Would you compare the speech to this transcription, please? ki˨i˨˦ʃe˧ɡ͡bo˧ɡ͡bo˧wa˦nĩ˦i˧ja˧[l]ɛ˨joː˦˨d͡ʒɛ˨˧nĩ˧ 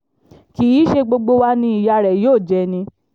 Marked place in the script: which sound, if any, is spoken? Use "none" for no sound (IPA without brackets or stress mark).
ɾ